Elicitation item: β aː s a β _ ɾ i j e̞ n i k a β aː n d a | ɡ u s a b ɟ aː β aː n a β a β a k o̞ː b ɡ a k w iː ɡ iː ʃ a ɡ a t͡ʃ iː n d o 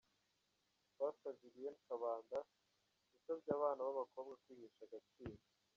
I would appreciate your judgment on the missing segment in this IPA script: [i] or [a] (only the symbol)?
i